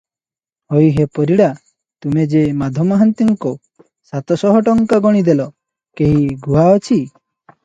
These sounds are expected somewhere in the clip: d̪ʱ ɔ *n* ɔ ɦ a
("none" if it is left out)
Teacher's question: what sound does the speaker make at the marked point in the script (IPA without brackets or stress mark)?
m